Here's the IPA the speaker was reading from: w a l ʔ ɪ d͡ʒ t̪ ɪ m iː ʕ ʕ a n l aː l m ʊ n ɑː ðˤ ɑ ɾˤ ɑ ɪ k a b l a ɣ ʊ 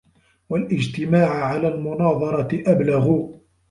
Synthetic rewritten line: w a l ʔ ɪ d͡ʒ t̪ ɪ m aː ʕ ʕ a l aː l m ʊ n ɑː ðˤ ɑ ɾˤ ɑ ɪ ʔ a b l a ɣ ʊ